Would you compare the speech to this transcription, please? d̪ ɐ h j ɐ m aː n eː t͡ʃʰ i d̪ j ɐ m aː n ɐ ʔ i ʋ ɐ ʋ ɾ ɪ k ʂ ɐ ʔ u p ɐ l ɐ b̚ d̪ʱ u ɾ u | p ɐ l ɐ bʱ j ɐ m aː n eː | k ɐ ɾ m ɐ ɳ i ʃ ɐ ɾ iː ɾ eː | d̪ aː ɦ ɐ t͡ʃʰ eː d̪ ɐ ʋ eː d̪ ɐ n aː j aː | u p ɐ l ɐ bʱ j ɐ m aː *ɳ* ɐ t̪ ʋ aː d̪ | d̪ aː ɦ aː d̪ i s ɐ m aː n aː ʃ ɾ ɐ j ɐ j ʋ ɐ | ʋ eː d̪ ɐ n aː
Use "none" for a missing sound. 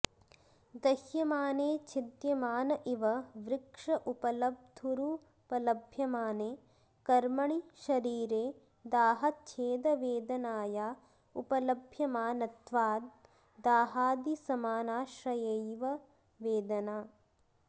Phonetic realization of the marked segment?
n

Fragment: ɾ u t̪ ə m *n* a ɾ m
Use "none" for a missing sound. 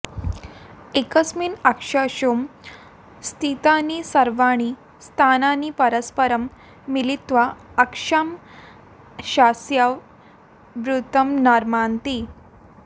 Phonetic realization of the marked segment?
n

